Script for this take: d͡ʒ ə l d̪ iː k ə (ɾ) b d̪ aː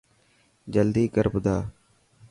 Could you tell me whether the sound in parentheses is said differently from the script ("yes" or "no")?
no